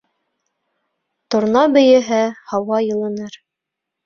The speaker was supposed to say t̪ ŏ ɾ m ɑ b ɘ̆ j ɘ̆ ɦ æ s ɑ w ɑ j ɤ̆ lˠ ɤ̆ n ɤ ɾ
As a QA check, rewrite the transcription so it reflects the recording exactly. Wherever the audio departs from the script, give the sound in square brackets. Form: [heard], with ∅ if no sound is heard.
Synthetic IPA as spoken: t̪ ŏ ɾ [n] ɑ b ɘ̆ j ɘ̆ ɦ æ [h] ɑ w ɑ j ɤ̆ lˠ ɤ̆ n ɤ ɾ

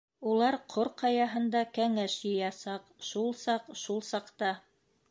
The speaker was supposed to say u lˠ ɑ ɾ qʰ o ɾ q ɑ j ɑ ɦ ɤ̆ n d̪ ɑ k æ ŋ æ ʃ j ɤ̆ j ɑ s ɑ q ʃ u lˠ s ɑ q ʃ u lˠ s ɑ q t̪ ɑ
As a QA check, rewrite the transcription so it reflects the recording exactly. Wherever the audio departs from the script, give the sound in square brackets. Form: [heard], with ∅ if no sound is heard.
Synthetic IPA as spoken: u lˠ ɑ ɾ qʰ o ɾ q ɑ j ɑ ɦ ɤ̆ n d̪ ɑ k æ ŋ æ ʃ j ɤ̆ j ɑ s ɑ q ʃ u lˠ s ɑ q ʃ u lˠ s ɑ q t̪ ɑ

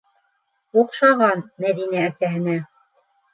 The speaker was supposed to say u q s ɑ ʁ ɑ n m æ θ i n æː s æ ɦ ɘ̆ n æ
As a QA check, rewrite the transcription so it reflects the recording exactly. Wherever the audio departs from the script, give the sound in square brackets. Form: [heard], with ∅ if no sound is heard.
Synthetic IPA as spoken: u q [ʃ] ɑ ʁ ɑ n m æ [ð] i n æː s æ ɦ ɘ̆ n æ

